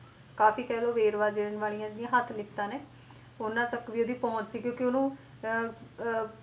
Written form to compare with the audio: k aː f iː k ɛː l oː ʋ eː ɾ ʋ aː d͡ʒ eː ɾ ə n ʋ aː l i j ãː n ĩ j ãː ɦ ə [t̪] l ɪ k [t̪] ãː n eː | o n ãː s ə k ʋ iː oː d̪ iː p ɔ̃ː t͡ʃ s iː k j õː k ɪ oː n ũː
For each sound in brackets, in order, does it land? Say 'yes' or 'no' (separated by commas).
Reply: no, yes